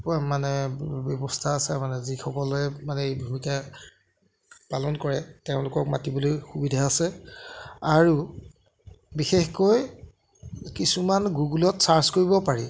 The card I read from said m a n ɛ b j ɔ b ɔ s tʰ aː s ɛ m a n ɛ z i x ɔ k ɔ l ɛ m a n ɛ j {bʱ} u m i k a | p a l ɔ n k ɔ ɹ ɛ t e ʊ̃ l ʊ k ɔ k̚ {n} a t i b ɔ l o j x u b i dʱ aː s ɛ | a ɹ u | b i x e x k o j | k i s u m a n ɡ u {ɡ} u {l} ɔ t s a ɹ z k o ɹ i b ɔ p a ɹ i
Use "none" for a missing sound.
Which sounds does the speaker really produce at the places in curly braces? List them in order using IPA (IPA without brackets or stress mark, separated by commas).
bʱ, m, ɡ, l